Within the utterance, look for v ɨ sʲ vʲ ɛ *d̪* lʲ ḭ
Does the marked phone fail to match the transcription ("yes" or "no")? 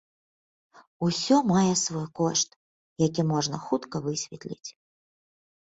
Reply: yes